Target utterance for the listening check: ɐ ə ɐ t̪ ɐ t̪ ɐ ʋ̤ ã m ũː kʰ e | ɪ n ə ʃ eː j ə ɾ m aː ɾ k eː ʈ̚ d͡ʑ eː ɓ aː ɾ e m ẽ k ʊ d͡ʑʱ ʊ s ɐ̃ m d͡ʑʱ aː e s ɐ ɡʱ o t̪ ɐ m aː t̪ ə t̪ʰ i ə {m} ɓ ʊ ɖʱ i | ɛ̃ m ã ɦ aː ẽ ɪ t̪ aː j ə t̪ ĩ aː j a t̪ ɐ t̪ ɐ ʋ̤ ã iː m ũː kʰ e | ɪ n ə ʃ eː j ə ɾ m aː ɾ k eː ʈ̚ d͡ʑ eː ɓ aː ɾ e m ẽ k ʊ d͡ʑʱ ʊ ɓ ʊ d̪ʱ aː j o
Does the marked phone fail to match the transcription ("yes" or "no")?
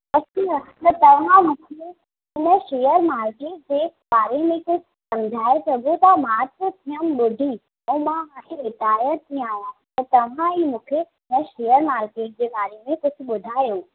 no